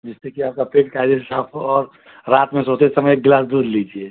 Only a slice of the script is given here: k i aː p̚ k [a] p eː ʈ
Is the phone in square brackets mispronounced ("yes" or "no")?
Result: no